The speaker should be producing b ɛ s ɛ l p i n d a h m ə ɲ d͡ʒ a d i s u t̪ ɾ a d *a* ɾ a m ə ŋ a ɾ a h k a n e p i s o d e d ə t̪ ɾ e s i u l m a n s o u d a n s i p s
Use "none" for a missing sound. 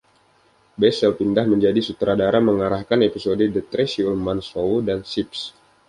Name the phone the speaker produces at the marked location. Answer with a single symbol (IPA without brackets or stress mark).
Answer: a